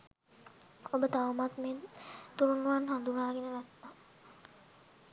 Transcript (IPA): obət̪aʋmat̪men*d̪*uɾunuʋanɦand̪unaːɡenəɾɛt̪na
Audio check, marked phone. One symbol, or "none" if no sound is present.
t̪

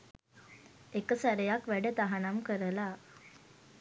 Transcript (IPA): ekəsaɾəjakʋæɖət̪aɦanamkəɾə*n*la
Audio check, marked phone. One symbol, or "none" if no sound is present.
none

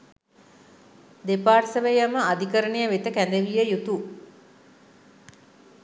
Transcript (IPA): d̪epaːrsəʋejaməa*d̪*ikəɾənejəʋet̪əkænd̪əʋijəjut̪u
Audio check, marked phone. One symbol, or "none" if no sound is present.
d̪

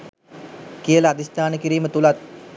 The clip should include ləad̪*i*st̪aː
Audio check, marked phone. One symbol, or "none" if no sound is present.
i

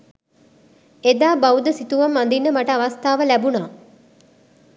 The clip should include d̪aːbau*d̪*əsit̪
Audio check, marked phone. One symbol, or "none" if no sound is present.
d̪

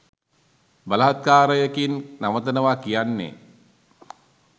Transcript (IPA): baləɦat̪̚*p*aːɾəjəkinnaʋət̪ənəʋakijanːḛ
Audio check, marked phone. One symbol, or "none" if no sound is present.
k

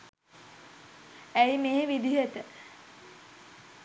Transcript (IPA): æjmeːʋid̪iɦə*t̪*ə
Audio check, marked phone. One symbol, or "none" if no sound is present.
t̪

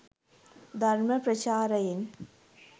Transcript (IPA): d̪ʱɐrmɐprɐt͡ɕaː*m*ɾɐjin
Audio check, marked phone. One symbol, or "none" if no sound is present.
none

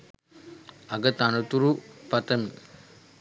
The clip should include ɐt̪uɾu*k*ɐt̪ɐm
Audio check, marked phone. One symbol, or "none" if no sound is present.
p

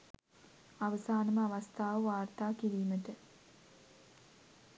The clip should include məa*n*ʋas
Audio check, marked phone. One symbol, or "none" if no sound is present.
none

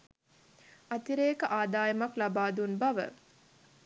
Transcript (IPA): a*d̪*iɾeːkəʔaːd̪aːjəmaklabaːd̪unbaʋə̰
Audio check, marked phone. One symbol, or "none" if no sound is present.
t̪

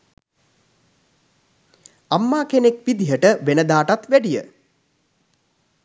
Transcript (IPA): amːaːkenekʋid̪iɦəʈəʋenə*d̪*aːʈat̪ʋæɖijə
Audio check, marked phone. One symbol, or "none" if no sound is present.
d̪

